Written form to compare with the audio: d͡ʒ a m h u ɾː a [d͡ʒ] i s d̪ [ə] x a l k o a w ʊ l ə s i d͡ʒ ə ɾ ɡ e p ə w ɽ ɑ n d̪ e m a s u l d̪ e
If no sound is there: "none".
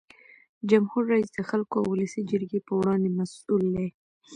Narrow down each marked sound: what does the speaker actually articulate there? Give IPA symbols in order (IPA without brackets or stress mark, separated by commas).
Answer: none, ə